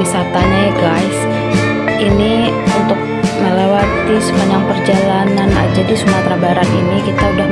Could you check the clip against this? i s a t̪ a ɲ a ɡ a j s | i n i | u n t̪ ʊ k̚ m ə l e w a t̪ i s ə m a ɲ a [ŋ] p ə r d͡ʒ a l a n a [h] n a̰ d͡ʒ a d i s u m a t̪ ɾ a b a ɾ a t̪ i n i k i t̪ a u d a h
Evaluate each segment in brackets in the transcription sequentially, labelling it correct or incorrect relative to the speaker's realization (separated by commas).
correct, incorrect